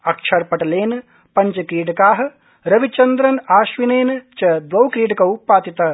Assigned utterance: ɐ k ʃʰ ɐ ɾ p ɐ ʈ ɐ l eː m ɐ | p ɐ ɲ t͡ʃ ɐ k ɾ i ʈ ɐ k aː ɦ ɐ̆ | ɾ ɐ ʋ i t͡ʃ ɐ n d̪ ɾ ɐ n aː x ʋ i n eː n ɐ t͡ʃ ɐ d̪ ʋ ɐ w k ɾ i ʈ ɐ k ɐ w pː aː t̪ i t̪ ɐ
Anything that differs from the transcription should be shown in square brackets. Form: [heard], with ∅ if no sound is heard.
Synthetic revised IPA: ɐ k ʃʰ ɐ ɾ p ɐ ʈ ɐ l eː [n] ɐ | p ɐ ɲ t͡ʃ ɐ k ɾ [iː] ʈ ɐ k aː ɦ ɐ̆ | ɾ ɐ ʋ i t͡ʃ ɐ n d̪ ɾ ɐ n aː [ʃ] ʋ i n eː n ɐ t͡ʃ ɐ d̪ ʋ ɐ w k ɾ [iː] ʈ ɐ k ɐ w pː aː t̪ i t̪ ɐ